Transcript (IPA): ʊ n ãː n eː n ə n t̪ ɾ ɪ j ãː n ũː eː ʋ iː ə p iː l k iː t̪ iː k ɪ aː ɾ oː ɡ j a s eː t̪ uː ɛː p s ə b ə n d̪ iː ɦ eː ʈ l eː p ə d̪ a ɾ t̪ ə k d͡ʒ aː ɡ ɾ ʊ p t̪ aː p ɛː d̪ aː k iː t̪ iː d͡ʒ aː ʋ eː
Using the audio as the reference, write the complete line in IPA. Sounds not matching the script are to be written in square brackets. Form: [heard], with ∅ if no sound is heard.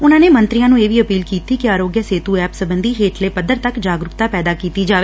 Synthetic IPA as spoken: ʊ n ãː n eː [m] ə n t̪ ɾ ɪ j ãː n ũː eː ʋ iː ə p iː l k iː t̪ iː k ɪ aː ɾ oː ɡ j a s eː t̪ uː ɛː p s ə b ə n d̪ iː ɦ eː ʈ l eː p ə d̪ [ə] ɾ t̪ ə k d͡ʒ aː ɡ ɾ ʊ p t̪ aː p ɛː d̪ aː k iː t̪ iː d͡ʒ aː ʋ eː

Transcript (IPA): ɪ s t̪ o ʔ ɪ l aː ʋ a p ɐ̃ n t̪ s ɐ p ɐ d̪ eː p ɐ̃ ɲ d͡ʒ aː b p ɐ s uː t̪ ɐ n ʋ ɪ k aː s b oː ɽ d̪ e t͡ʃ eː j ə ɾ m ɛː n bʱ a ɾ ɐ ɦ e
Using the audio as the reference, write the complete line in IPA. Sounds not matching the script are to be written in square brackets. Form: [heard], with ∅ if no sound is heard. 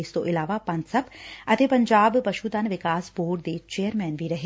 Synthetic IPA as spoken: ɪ s t̪ o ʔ ɪ l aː ʋ a p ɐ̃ n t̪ s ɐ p ɐ [t̪] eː p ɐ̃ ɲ d͡ʒ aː b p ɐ [ʃ] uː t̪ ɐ n ʋ ɪ k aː s b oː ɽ d̪ e t͡ʃ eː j ə ɾ m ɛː n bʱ [i] ɾ ɐ ɦ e

